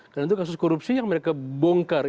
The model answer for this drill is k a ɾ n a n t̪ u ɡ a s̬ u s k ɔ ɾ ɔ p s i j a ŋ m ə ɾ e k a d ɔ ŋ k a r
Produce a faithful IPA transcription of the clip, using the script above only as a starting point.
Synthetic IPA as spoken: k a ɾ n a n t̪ u k a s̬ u s k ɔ ɾ u p s i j a ŋ m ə ɾ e k a b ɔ ŋ k a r